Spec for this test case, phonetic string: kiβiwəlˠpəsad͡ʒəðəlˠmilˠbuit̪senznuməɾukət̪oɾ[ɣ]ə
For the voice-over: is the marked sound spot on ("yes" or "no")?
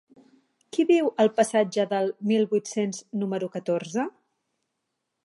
no